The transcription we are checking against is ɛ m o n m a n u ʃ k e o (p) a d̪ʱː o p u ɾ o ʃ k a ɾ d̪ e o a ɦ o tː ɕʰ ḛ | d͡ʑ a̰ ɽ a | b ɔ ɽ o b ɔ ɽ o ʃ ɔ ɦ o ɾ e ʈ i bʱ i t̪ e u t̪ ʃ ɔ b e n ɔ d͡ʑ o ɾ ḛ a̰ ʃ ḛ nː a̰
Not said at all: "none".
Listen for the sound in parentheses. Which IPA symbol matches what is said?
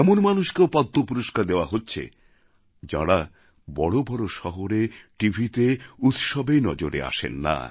p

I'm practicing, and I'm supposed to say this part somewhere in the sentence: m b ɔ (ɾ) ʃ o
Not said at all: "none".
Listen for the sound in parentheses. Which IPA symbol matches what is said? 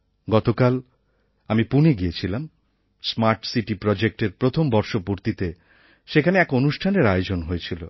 ɾ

